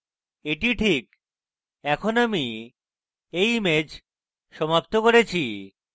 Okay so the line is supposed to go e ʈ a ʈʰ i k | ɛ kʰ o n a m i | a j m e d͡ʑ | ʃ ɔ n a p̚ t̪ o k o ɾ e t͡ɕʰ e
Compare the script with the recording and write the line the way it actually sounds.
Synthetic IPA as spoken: e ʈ i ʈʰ i k | ɛ kʰ o n a m i | e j m e d͡ʑ | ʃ ɔ m a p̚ t̪ o k o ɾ e t͡ɕʰ i